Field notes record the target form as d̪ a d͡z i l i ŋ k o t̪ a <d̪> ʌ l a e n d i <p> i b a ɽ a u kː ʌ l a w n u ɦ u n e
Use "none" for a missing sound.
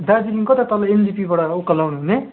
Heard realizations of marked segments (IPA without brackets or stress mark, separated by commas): t̪, p